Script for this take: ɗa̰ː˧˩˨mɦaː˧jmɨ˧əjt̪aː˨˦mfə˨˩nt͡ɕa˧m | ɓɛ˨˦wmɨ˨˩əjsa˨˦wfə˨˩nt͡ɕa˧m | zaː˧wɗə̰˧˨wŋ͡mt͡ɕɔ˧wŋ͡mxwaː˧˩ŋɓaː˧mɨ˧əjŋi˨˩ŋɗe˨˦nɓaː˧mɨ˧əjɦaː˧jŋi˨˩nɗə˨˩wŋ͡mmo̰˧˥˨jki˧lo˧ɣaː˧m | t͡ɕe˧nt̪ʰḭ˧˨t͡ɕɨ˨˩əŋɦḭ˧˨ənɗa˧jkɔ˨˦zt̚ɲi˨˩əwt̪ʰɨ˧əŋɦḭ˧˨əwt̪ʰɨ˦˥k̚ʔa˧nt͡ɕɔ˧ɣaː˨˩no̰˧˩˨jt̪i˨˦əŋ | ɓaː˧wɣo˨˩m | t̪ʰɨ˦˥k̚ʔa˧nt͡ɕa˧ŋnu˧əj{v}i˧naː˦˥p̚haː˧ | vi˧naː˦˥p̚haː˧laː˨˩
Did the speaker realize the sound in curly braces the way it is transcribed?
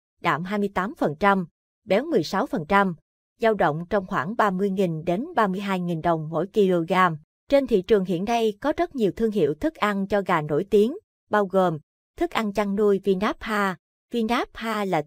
yes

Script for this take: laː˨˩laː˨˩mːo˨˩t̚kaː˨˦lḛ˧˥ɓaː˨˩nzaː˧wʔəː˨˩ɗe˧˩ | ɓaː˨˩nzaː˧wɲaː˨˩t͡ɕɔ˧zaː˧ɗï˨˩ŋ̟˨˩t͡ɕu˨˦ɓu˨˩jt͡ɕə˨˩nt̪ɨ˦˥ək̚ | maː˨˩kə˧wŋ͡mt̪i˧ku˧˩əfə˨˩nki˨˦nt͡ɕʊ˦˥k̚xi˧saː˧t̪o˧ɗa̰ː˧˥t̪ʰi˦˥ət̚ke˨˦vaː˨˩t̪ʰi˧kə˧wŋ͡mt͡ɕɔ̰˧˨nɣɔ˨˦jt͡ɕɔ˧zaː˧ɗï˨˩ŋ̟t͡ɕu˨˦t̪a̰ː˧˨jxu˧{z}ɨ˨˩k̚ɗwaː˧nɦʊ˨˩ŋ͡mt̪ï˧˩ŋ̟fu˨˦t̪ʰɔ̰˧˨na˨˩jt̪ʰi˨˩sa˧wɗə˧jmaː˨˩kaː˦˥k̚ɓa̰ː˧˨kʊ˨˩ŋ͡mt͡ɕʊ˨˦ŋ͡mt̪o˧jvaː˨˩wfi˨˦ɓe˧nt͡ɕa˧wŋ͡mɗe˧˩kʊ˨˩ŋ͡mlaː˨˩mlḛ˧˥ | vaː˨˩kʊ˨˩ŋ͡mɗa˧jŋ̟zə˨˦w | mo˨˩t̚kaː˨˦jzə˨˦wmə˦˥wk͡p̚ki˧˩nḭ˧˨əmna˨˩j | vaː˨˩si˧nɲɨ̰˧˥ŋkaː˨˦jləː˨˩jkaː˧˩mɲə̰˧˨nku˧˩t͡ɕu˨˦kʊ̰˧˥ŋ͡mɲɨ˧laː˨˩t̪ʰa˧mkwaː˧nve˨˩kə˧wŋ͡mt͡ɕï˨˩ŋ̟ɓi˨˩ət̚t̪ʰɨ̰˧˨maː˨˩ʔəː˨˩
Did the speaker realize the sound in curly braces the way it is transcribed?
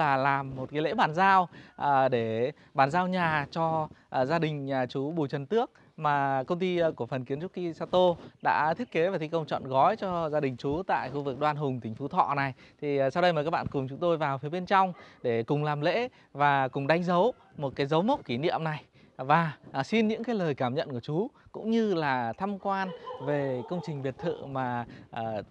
no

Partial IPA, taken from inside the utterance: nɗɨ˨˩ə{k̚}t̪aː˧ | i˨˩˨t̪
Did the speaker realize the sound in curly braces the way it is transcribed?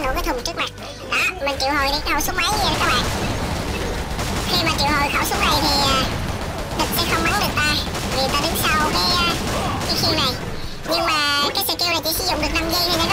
yes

